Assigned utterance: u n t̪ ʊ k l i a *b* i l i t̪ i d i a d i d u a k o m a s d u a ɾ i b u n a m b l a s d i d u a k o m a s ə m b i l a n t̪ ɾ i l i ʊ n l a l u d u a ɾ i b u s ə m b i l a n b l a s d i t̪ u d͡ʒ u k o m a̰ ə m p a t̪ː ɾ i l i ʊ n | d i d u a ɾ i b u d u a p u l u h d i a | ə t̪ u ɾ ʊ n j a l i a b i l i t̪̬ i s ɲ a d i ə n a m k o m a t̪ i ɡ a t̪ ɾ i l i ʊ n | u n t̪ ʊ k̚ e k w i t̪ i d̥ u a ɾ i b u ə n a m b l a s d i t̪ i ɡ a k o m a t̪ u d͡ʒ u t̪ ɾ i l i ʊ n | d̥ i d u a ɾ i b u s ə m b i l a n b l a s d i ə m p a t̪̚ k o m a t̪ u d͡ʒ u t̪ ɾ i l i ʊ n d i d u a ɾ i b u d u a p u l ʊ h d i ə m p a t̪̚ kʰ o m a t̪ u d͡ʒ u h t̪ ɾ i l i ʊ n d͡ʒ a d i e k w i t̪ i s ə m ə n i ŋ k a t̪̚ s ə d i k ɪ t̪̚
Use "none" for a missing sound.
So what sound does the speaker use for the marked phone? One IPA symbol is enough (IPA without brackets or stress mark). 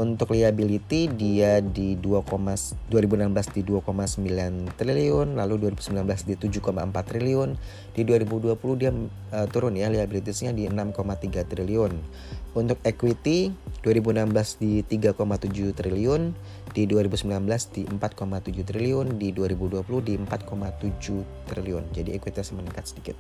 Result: b